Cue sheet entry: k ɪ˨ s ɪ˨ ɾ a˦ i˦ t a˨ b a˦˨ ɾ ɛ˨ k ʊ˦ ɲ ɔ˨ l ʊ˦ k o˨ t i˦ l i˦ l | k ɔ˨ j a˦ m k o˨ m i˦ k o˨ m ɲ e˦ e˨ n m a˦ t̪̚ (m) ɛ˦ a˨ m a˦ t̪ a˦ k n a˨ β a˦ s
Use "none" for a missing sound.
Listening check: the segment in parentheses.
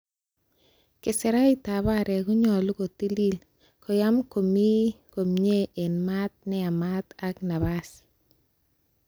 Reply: n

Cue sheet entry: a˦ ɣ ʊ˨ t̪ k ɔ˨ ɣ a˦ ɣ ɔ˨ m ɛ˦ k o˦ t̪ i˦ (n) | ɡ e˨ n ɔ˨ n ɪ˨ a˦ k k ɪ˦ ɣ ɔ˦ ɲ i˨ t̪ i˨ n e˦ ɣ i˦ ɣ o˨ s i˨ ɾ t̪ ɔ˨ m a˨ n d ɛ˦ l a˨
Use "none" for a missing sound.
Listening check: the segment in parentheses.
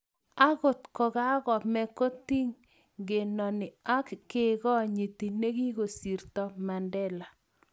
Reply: ŋ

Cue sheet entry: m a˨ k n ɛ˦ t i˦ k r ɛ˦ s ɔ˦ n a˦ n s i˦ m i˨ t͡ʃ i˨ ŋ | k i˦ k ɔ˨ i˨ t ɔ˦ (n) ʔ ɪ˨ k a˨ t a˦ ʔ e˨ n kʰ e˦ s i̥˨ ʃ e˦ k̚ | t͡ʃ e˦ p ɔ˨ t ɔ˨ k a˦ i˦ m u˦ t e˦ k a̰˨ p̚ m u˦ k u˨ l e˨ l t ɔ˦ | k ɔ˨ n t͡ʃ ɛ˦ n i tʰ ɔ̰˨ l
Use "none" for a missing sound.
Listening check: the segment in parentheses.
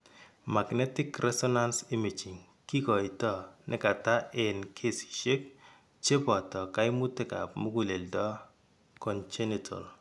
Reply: n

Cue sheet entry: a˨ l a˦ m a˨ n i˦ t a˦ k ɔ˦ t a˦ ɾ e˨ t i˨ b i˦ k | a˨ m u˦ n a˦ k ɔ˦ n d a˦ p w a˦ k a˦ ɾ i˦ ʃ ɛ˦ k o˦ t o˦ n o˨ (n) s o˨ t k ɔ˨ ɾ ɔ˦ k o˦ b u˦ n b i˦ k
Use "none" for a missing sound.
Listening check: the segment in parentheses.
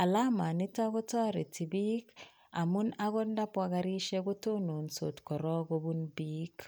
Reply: n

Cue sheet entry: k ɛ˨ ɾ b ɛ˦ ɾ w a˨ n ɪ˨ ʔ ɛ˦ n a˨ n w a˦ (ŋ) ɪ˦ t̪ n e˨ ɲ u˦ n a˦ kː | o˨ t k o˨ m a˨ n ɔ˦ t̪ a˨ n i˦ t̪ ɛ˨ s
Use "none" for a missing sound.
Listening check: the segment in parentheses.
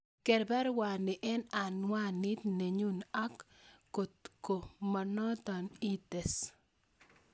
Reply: n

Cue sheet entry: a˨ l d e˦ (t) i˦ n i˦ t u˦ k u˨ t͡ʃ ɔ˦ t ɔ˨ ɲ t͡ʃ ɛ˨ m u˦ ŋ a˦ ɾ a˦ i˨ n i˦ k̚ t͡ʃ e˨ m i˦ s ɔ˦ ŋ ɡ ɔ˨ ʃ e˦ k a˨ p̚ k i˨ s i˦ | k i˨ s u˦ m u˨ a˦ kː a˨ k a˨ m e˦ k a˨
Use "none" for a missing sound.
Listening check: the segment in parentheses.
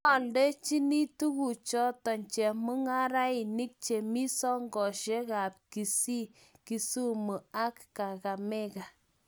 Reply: t͡ʃ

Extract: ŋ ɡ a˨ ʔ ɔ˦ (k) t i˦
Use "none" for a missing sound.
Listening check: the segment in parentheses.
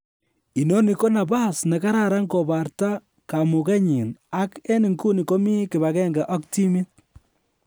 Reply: k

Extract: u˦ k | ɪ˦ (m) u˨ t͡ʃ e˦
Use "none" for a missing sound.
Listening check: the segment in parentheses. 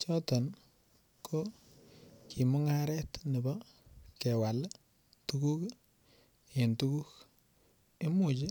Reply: m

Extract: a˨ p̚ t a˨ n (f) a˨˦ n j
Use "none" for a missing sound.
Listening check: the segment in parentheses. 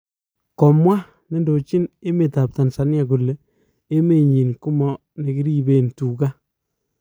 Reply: s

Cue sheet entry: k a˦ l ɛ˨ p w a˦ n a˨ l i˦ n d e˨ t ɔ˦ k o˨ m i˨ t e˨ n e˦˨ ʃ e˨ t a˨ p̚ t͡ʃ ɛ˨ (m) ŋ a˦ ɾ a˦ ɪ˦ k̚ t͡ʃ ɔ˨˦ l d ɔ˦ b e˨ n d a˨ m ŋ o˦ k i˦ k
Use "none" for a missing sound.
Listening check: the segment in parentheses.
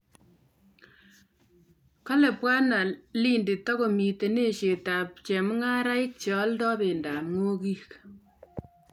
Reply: m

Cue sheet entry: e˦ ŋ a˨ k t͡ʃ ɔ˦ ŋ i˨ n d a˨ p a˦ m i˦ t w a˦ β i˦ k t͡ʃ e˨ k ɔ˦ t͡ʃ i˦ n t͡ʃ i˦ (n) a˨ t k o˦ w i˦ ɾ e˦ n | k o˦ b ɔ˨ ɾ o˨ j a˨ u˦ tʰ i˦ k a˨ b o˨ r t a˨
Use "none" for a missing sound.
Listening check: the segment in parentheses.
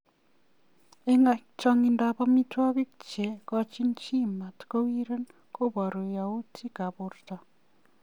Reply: m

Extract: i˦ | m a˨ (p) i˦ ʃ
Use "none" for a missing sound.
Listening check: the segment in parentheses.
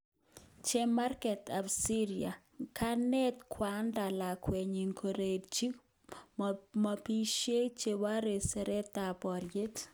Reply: p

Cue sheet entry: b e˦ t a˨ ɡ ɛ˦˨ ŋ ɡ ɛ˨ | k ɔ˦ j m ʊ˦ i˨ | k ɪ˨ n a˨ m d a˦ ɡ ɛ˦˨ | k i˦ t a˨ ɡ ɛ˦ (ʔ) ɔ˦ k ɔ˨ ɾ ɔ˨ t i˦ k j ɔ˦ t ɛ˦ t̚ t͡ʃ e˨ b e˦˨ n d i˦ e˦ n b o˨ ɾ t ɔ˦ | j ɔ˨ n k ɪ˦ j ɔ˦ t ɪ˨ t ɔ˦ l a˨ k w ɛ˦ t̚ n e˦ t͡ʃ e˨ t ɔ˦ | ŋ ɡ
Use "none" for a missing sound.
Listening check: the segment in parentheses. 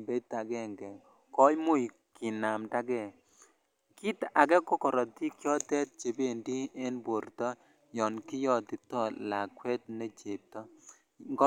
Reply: k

